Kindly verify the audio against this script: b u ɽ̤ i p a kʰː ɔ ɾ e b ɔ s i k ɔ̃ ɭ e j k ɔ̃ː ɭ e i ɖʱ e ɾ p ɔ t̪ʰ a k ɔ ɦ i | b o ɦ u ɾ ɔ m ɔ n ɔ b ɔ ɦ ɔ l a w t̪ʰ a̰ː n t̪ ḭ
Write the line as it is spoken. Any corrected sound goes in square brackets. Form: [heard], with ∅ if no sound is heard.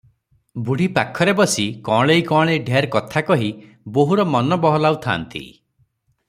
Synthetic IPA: b u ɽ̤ i p a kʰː ɔ ɾ e b ɔ s i k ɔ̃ ɭ e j k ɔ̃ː ɭ e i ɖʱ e ɾ [k] ɔ t̪ʰ a k ɔ ɦ i | b o ɦ u ɾ ɔ m ɔ n ɔ b ɔ ɦ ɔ l a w t̪ʰ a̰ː n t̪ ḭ